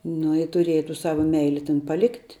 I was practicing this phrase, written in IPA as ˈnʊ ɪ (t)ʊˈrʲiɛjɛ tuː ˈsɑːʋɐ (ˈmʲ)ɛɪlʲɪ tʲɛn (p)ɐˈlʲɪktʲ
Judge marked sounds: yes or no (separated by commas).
yes, yes, yes